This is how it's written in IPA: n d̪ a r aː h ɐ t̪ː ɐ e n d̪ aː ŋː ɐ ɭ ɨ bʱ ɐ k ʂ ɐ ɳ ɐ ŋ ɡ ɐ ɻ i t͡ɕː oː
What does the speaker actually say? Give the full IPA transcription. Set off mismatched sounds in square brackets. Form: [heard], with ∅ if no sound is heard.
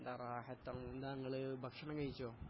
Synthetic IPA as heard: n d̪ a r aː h ɐ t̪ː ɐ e n d̪ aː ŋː ɐ ɭ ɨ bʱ ɐ k ʂ ɐ ɳ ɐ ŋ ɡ ɐ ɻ i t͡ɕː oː